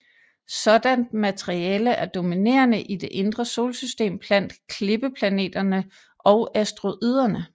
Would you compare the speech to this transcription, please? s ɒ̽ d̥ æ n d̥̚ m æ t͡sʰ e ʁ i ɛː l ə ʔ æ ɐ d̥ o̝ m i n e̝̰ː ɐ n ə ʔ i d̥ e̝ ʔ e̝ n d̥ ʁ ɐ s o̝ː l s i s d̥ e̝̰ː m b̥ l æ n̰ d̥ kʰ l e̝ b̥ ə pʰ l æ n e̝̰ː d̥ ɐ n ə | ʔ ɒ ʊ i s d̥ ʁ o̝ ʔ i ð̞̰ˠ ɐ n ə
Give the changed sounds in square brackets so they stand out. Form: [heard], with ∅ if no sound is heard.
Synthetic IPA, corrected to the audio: s ɒ̽ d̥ æ n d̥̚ m æ t͡sʰ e ʁ i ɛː l ə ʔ æ ɐ d̥ o̝ m i n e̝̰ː ɐ n ə ʔ i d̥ e̝ ʔ e̝ n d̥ ʁ ɐ s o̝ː l s [y] s d̥ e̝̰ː m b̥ l æ n̰ d̥ kʰ l e̝ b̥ ə pʰ l æ n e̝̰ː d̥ ɐ n ə | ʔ ɒ ʊ [æ] s d̥ ʁ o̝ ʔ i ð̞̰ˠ ɐ n ə